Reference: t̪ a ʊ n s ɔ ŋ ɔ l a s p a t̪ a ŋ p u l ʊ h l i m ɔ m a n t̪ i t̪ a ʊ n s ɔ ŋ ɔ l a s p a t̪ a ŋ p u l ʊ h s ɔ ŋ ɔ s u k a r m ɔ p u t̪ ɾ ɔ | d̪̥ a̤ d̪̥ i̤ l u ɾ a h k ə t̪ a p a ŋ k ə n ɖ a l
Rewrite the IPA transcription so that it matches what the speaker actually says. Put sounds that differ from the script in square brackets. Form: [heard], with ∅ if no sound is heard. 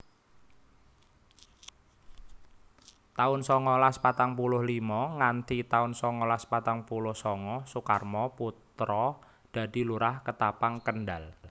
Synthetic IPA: t̪ a ʊ n s ɔ ŋ ɔ l a s p a t̪ a ŋ p u l ʊ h l i m ɔ [ŋ] a n t̪ i t̪ a ʊ n s ɔ ŋ ɔ l a s p a t̪ a ŋ p u l ʊ h s ɔ ŋ ɔ s u k a r m ɔ p u t̪ ɾ ɔ | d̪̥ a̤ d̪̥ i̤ l u ɾ a h k ə t̪ a p a ŋ k ə n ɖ a l